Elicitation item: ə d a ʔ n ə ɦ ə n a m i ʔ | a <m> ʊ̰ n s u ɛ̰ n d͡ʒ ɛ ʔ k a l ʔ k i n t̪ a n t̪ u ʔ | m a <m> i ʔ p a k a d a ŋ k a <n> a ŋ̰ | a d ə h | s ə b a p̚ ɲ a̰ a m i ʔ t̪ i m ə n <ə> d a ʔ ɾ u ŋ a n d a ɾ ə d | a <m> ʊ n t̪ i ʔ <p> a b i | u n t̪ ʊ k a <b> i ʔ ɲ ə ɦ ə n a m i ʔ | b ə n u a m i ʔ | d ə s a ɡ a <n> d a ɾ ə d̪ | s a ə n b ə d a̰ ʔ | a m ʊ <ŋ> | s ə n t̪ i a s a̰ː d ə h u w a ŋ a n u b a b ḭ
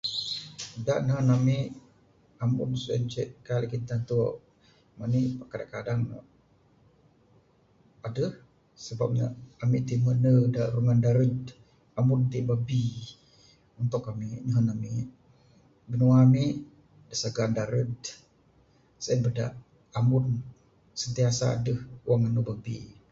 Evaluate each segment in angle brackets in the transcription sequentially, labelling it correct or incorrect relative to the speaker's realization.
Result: correct, incorrect: n, incorrect: d, correct, correct, incorrect: b, incorrect: m, correct, incorrect: n

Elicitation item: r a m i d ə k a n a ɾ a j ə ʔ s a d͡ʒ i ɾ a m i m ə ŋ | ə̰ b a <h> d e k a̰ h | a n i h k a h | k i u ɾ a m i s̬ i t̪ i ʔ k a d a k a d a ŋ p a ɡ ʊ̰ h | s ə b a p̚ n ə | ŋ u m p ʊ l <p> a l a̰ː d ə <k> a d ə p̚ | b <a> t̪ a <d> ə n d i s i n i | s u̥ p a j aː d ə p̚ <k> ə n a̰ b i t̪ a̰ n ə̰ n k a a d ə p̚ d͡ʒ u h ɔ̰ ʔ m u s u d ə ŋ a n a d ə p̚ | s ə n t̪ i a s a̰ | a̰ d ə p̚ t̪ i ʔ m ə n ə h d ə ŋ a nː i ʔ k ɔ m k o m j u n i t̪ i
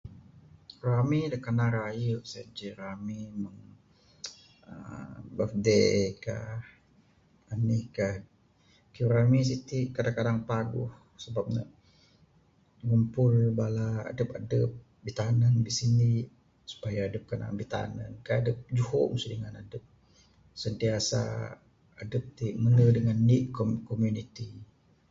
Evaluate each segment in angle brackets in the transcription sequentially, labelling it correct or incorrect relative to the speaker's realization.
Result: incorrect: f, incorrect: b, incorrect: p, incorrect: i, incorrect: n, correct

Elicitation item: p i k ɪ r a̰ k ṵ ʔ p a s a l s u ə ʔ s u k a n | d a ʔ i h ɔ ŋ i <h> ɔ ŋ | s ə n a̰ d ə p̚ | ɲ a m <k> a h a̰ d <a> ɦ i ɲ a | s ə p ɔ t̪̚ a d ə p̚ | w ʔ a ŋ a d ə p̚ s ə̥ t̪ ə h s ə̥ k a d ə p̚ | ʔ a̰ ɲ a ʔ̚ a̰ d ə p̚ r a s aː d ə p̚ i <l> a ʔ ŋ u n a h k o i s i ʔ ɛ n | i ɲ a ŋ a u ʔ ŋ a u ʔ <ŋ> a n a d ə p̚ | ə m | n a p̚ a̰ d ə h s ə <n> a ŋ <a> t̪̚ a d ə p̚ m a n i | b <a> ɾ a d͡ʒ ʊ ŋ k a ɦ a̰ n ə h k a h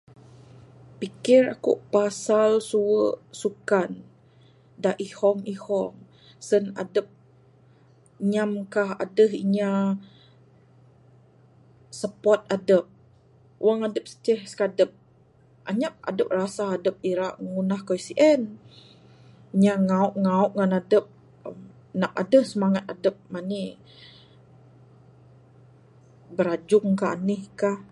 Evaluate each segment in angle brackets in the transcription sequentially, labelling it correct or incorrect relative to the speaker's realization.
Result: correct, correct, incorrect: ə, incorrect: ɾ, correct, incorrect: m, correct, incorrect: ə

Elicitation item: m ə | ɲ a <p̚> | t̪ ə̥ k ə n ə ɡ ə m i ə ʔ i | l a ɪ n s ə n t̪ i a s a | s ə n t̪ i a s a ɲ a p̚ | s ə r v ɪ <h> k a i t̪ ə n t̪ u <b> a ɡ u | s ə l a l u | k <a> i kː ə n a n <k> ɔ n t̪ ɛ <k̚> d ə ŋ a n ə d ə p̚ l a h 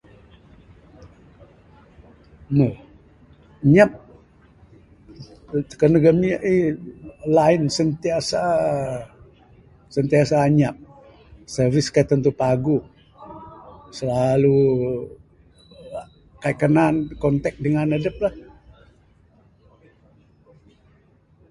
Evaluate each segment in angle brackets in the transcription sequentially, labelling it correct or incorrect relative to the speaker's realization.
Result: correct, incorrect: s, incorrect: p, correct, correct, correct

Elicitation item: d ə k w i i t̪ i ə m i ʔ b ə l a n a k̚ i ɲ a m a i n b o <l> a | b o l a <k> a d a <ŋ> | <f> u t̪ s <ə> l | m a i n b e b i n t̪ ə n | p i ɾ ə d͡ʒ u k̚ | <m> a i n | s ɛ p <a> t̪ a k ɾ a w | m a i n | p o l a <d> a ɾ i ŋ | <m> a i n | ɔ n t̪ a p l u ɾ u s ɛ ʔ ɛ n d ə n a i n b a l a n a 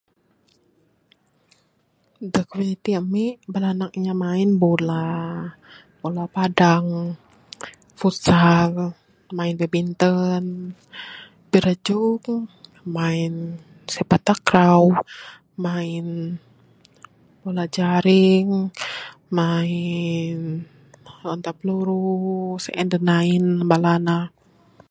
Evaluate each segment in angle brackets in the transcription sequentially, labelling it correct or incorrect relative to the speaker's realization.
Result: correct, incorrect: p, correct, correct, incorrect: a, correct, correct, incorrect: d͡ʒ, correct

